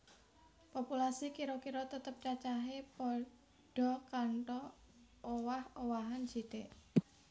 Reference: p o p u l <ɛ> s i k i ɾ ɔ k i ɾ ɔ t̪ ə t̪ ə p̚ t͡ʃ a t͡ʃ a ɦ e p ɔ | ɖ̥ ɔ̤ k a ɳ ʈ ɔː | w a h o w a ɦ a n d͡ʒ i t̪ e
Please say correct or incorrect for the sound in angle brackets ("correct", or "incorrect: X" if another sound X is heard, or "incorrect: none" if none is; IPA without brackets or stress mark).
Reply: incorrect: a